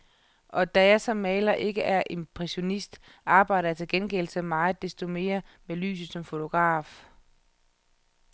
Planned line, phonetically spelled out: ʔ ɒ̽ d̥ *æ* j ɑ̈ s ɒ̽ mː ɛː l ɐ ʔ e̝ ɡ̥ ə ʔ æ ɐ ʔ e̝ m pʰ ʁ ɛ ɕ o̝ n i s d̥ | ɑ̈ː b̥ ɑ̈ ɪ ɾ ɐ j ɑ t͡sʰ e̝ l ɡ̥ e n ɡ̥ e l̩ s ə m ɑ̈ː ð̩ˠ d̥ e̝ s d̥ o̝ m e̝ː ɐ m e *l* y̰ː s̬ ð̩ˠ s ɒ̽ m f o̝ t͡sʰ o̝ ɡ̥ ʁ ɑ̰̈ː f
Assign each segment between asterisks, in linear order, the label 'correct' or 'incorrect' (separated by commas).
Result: correct, correct